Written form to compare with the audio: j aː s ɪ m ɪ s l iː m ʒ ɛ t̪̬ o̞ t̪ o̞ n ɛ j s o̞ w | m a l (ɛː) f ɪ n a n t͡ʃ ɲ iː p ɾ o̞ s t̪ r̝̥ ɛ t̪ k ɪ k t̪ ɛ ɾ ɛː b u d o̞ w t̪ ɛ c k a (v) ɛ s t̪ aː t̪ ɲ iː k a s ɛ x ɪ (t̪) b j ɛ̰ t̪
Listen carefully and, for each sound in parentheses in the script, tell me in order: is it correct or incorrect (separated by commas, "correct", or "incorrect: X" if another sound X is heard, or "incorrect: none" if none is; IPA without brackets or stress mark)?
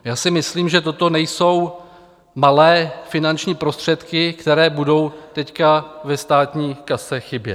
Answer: correct, correct, incorrect: none